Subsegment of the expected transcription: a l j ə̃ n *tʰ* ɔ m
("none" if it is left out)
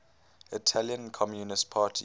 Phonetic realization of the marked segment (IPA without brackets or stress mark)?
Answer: kʰ